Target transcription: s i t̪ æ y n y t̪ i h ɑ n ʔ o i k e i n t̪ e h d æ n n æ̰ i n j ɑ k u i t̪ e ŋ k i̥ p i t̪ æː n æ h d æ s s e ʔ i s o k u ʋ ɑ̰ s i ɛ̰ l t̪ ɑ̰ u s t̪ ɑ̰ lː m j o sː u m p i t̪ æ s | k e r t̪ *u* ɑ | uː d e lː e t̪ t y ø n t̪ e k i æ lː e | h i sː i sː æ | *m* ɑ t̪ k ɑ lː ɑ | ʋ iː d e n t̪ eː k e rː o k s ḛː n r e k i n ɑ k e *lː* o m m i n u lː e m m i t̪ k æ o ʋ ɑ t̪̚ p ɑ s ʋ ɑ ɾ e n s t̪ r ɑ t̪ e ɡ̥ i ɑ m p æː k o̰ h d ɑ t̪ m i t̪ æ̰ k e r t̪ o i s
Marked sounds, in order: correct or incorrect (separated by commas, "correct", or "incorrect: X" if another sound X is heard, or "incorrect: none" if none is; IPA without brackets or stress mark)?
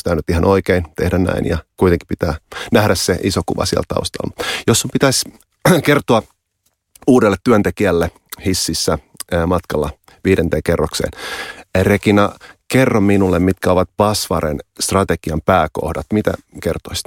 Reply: incorrect: o, correct, incorrect: rː